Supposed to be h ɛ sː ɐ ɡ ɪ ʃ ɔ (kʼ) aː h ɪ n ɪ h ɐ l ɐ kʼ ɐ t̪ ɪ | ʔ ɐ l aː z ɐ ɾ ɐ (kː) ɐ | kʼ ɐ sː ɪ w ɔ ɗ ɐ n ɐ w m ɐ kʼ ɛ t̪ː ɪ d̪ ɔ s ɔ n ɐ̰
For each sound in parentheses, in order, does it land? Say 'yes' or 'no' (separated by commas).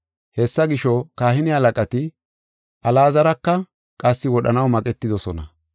no, yes